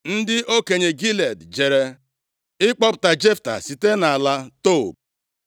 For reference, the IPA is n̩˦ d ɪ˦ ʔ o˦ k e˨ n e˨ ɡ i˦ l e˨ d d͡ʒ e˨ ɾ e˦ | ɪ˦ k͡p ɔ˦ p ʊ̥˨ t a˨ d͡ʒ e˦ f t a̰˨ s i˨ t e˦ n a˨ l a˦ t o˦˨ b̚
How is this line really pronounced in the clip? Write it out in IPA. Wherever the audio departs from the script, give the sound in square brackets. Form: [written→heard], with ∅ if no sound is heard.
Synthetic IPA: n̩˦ d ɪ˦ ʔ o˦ k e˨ [n→ɲ] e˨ ɡ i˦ l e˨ d d͡ʒ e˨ ɾ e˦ | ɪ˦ k͡p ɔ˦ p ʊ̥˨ t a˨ d͡ʒ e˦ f t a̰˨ s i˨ t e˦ n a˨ l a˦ t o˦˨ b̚

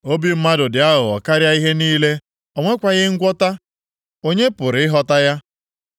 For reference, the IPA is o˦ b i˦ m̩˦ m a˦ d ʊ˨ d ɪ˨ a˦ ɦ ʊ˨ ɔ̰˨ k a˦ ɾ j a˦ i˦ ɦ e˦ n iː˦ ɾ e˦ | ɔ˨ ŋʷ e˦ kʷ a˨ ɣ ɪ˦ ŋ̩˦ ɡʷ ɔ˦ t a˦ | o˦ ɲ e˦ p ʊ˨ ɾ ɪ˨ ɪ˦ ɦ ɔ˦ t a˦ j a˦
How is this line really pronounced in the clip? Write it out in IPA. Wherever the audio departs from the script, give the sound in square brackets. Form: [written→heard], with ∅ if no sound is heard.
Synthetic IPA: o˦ b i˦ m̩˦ m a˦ d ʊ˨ d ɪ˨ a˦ ɦ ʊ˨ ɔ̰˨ k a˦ ɾ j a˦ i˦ ɦ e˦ n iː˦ [ɾ→l] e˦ | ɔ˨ ŋʷ e˦ kʷ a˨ ɣ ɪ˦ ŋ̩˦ ɡʷ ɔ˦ t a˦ | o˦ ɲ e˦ p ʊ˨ ɾ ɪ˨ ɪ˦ ɦ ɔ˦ t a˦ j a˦

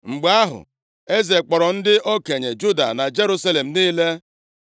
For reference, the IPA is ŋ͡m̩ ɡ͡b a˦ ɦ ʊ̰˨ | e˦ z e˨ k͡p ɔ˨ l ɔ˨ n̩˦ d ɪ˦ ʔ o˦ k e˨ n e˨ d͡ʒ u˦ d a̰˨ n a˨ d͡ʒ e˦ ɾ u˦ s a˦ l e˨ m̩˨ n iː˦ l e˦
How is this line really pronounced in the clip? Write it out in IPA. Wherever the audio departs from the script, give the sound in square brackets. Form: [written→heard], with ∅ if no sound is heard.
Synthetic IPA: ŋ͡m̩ ɡ͡b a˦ ɦ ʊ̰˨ | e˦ z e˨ k͡p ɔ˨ [l→ɾ] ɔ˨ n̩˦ d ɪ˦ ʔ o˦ k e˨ [n→ɲ] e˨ d͡ʒ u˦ d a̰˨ n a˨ d͡ʒ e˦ ɾ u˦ s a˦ l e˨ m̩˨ n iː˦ l e˦

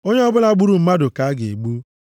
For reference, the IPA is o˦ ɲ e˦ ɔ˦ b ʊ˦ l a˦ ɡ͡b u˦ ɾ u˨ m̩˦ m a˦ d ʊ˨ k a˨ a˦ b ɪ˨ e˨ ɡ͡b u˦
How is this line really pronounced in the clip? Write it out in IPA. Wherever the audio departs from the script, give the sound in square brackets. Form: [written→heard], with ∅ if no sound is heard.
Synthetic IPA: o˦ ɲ e˦ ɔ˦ b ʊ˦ l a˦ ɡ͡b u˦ ɾ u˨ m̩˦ m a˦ d ʊ˨ k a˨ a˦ [b→ɡ] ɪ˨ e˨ ɡ͡b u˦

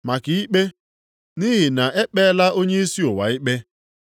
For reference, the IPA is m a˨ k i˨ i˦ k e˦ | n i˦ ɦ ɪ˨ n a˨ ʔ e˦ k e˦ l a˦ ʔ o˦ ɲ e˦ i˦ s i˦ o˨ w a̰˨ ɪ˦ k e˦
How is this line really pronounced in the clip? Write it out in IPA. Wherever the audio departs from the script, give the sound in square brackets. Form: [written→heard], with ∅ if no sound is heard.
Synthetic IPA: m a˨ k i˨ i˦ [k→k͡p] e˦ | n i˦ ɦ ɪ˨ n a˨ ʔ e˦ [k→k͡p] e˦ l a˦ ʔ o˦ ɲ e˦ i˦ s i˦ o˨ w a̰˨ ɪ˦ [k→k͡p] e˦

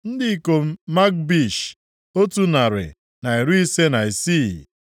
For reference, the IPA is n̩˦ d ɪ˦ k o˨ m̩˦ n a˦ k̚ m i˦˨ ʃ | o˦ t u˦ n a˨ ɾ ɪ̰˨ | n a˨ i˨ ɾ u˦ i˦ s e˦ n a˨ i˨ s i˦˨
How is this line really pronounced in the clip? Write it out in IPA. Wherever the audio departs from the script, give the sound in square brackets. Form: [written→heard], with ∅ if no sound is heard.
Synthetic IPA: n̩˦ d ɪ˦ k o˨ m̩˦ [n→m] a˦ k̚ [m→b] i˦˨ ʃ | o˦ t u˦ n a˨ ɾ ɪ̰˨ | n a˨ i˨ ɾ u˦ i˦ s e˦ n a˨ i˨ s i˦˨

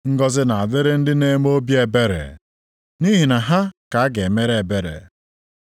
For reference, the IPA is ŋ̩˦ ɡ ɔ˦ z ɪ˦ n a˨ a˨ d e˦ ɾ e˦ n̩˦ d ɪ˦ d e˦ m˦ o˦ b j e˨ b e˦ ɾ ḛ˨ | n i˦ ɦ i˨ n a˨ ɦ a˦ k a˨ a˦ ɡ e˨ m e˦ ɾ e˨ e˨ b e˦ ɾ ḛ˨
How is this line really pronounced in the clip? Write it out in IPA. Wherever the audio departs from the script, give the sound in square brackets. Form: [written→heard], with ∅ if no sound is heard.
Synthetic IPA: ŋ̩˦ ɡ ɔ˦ z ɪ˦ n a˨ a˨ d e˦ ɾ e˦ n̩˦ d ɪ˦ [d→n] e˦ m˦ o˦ b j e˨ b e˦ ɾ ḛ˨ | n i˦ ɦ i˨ n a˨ ɦ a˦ k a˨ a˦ ɡ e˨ m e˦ ɾ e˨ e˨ b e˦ ɾ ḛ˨

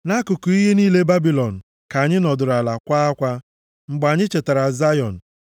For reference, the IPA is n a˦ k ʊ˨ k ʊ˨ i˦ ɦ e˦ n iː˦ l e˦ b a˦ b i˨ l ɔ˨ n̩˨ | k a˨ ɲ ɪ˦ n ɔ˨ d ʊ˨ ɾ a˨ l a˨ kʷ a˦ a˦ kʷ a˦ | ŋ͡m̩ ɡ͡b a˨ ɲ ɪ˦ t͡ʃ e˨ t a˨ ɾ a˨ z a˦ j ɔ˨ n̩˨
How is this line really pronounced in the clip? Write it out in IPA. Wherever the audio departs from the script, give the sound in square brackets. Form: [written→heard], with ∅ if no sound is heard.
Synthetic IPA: n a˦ k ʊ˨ k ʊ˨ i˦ ɦ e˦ n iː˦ l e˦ b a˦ b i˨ l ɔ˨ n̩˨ | k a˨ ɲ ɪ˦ n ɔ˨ d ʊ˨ ɾ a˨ l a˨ kʷ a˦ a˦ kʷ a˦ | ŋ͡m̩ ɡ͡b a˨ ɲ ɪ˦ t͡ʃ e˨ t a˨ ɾ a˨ z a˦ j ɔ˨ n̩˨

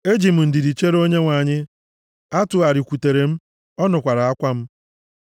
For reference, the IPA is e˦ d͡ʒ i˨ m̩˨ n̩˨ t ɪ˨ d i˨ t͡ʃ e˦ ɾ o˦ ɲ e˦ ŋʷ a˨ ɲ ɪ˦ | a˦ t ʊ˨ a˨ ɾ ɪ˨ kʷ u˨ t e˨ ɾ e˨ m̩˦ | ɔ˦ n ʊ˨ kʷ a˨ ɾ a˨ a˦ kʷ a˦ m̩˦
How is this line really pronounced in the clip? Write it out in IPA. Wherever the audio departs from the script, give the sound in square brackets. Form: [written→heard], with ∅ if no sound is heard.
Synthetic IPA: e˦ d͡ʒ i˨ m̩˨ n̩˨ [t→d] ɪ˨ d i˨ t͡ʃ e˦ ɾ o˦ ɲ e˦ ŋʷ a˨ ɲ ɪ˦ | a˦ t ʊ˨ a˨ ɾ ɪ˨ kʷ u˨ t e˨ ɾ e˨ m̩˦ | ɔ˦ n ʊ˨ kʷ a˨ ɾ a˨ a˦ kʷ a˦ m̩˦

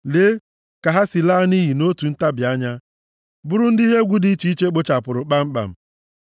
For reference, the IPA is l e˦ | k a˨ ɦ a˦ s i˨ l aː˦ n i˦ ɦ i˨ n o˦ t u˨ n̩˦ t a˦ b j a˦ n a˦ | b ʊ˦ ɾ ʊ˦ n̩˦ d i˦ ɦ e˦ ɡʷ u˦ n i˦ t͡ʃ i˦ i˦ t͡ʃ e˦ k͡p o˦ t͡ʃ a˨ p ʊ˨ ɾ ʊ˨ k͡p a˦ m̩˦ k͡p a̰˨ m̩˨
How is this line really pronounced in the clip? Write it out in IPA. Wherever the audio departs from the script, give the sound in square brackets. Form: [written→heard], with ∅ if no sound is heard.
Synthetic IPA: l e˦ | k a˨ ɦ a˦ s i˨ l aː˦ n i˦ ɦ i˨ n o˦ t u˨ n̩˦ t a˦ b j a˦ [n→ɲ] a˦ | b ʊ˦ ɾ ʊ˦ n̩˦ d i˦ ɦ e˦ ɡʷ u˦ [n→d] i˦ t͡ʃ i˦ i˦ t͡ʃ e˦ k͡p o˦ t͡ʃ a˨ p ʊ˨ ɾ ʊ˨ k͡p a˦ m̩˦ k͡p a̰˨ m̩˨

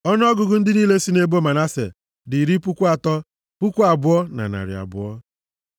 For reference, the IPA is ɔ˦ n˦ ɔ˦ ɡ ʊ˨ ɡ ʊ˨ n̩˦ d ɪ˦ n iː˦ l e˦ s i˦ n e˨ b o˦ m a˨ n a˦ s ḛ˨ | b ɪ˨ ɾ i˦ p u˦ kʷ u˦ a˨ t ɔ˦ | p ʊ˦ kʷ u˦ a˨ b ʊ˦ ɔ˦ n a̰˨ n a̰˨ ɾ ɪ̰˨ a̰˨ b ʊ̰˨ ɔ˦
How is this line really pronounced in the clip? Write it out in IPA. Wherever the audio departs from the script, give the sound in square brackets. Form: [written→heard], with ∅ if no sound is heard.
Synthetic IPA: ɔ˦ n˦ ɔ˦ ɡ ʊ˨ ɡ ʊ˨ n̩˦ d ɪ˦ n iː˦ l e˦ s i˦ n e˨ b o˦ m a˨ n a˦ s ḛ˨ | [b→d] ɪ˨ ɾ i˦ p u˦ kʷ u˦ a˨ t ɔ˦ | p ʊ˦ kʷ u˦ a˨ b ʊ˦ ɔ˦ n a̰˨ n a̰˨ ɾ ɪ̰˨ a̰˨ b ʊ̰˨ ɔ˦

